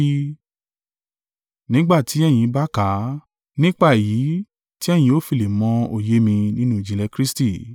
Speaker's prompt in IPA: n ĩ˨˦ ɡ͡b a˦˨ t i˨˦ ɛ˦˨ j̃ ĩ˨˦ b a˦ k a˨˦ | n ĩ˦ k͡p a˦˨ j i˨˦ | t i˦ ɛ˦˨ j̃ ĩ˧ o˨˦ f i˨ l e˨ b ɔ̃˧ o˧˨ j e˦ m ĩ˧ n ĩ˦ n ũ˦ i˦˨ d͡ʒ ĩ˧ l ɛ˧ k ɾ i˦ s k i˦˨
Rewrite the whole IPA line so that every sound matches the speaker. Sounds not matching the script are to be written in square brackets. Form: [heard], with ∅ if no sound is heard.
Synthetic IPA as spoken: n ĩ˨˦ ɡ͡b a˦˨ t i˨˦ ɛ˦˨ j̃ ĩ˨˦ b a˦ k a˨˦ | n ĩ˦ k͡p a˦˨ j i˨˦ | t i˦ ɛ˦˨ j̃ ĩ˧ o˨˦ f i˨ l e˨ [m] ɔ̃˧ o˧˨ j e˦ m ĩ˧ n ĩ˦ n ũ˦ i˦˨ d͡ʒ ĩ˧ l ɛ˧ k ɾ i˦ s [t] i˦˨